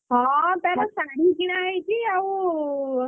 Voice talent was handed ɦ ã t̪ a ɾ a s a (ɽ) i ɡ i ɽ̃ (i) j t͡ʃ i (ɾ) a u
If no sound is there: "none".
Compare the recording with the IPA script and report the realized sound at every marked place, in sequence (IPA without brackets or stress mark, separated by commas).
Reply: ɽ, a, none